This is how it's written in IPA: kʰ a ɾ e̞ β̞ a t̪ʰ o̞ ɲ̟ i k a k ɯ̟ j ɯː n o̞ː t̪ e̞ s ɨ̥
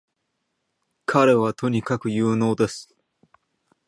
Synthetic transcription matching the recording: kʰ a ɾ e̞ β̞ a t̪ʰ o̞ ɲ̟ i k a k ɯ̟ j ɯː n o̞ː d̪ e̞ s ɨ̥